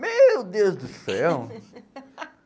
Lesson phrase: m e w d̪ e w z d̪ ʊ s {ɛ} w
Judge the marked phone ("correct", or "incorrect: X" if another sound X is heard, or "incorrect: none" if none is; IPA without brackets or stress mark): correct